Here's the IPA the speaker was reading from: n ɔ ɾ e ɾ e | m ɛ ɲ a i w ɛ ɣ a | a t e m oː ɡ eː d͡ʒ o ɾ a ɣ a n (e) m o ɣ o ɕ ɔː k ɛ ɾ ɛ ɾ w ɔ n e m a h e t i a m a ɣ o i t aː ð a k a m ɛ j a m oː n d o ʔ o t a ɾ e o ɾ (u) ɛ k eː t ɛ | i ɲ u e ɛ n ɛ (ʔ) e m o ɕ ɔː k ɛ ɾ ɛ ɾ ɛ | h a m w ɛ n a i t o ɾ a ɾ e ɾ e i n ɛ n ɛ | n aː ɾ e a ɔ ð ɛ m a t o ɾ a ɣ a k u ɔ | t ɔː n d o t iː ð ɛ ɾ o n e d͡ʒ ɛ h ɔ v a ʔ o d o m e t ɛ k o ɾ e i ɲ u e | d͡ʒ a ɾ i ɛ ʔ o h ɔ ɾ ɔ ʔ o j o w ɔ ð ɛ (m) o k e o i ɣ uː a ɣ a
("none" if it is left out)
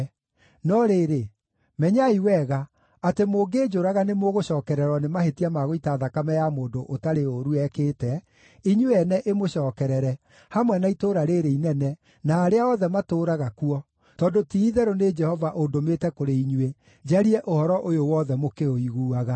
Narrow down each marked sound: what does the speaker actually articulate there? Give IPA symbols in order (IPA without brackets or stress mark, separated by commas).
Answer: e, u, ʔ, m